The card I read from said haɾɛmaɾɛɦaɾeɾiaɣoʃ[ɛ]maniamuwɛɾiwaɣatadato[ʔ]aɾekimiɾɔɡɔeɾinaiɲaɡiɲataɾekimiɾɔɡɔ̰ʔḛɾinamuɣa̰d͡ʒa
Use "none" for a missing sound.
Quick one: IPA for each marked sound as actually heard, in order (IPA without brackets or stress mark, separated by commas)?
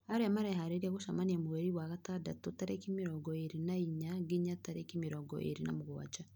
a, t